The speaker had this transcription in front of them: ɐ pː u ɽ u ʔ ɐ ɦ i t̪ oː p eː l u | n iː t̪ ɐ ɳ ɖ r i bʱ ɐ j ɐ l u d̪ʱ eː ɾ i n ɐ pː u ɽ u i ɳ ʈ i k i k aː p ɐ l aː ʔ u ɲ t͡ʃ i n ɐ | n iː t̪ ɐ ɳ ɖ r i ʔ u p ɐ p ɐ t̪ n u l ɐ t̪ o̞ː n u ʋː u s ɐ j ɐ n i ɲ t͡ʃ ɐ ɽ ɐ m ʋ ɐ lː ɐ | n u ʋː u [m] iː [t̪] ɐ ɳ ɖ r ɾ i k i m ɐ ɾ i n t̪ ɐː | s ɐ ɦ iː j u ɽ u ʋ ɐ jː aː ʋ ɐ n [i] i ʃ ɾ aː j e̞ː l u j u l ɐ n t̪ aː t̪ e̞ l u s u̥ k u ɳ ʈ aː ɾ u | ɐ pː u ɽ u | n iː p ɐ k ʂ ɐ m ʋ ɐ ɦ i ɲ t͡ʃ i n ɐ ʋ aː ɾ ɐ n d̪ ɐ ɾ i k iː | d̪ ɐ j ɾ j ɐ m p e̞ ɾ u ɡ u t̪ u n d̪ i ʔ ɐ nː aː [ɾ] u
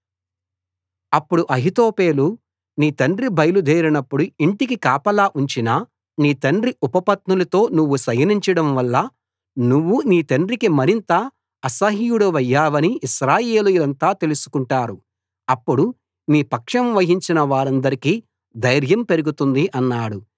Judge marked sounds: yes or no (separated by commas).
no, yes, yes, no